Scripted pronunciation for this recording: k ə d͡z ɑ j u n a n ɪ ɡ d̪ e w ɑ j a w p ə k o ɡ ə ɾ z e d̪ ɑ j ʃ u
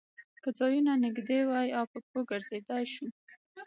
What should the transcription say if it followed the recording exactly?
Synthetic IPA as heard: k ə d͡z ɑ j u n a n ɪ ɡ d̪ e w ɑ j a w p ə k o ɡ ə ɾ z e d̪ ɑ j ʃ u